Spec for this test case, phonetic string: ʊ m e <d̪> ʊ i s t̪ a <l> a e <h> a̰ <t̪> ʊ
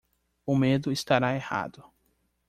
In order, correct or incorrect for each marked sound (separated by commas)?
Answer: correct, incorrect, correct, incorrect